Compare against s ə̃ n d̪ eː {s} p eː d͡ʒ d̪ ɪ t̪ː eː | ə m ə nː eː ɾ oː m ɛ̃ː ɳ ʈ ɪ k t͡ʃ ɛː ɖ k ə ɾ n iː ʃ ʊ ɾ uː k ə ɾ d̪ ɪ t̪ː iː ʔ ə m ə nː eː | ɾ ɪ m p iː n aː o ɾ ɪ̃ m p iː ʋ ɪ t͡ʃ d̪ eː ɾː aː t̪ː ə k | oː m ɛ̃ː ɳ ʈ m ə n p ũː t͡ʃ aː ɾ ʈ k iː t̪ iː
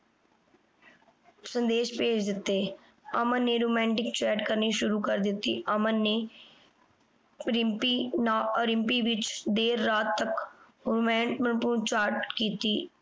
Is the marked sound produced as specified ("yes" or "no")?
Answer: no